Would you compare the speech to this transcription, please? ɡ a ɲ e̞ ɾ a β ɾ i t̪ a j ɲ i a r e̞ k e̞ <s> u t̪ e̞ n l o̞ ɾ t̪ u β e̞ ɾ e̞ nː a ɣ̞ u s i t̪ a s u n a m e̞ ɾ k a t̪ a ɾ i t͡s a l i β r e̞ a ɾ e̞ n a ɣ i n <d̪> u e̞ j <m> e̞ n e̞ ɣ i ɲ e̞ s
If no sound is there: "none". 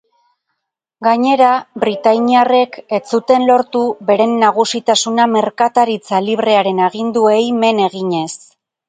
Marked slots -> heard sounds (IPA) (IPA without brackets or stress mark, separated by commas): t͡s, d̪, m